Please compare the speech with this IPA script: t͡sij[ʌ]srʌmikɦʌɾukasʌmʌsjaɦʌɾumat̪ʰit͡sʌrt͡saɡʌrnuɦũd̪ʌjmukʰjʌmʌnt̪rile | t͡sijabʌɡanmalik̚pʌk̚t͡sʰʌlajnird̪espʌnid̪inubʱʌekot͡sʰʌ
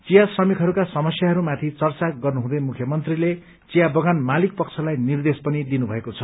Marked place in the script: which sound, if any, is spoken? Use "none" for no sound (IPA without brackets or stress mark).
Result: a